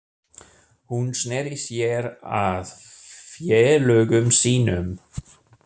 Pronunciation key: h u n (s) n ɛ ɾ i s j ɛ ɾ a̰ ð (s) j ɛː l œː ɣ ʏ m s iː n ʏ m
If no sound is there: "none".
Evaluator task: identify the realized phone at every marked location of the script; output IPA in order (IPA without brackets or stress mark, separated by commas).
s, f